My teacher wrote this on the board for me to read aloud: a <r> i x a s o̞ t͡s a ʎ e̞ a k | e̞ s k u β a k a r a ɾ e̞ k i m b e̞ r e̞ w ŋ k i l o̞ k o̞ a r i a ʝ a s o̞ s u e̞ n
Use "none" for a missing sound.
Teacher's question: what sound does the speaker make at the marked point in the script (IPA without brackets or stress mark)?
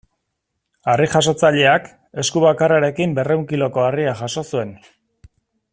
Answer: r